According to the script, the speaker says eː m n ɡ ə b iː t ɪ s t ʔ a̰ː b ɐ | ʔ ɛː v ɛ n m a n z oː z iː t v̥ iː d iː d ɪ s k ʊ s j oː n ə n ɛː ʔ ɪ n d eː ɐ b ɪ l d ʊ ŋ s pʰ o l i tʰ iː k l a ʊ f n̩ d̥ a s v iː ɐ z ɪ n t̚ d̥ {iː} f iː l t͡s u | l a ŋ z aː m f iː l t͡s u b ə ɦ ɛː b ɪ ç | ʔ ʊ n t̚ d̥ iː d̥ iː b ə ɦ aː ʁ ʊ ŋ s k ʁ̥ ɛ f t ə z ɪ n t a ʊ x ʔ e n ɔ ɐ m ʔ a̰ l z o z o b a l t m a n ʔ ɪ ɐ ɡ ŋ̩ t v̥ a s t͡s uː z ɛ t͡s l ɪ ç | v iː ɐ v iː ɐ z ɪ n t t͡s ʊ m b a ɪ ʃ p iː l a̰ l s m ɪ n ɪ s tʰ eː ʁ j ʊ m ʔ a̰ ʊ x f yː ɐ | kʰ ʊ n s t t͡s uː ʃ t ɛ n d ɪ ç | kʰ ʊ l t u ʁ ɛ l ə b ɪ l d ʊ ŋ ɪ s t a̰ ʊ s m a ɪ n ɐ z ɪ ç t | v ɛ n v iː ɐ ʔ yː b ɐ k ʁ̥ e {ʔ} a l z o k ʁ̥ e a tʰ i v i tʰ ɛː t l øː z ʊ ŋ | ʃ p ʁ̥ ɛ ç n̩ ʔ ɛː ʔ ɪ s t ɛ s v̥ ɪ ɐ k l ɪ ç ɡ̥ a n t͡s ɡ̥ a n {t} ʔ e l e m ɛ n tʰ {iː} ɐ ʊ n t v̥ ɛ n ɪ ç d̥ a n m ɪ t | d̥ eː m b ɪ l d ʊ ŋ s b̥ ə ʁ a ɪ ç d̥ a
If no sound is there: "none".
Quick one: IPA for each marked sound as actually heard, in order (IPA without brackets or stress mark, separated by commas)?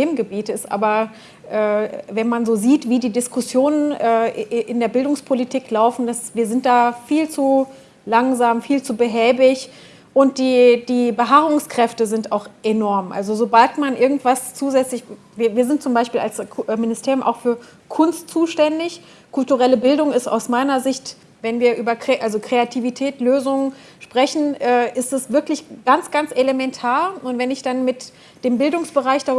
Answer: aː, ʔ, t͡s, aː